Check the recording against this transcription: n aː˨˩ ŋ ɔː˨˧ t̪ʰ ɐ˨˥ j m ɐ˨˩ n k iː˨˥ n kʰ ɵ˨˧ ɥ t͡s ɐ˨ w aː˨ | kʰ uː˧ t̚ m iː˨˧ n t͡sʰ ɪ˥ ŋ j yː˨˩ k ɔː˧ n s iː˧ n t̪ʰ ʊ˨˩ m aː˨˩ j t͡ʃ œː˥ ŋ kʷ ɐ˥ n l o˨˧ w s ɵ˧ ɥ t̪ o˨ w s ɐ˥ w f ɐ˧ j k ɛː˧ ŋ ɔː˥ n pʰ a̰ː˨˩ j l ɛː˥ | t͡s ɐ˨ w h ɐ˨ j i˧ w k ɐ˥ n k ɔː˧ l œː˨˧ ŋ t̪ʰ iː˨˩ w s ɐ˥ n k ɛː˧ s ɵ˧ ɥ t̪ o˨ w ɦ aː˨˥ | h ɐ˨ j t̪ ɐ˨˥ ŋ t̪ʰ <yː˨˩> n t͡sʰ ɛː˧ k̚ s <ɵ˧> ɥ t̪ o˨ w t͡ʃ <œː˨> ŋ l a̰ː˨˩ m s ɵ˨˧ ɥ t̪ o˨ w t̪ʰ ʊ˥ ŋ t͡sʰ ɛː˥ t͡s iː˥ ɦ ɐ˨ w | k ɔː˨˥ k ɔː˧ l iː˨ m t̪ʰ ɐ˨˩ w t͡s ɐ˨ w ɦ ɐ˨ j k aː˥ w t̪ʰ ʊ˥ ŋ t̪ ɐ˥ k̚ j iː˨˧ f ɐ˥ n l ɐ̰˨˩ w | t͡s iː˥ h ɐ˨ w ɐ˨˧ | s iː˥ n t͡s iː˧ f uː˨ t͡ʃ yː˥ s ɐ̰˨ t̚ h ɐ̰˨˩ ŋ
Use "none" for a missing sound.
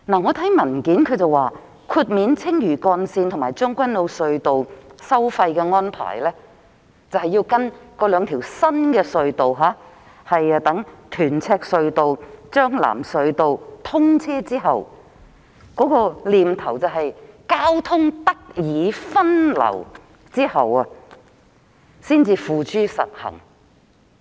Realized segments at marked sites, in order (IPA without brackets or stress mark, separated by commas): yː˨˩, ɵ˧, œː˥